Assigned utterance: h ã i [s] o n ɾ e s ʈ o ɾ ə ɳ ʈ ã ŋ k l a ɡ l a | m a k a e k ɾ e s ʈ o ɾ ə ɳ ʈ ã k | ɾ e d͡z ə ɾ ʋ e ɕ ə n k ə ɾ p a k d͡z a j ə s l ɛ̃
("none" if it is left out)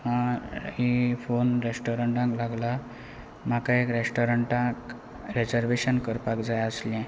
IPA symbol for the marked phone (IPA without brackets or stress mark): f